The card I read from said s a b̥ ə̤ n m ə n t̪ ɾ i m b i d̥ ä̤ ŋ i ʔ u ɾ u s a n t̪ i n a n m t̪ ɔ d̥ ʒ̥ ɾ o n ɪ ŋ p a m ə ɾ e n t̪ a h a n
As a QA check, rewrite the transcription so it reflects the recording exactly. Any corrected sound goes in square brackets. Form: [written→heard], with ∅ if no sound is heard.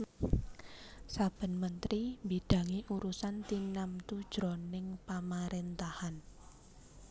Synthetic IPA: s a b̥ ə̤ n m ə n t̪ ɾ i m b i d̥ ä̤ ŋ i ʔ u ɾ u s a n t̪ i n a [n→∅] m t̪ [ɔ→u] d̥ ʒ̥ ɾ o n ɪ ŋ p a m [ə→a] ɾ e n t̪ a h a n